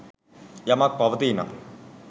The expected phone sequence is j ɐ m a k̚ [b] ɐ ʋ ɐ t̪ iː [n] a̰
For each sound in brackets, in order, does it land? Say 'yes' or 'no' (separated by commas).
no, yes